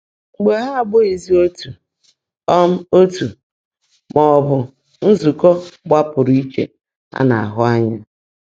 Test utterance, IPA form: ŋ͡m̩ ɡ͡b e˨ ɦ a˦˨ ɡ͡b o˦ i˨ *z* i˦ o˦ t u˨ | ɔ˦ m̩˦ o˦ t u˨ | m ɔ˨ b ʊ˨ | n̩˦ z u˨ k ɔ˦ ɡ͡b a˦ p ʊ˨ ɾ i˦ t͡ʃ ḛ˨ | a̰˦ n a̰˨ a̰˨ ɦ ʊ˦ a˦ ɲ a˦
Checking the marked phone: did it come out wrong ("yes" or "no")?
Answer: no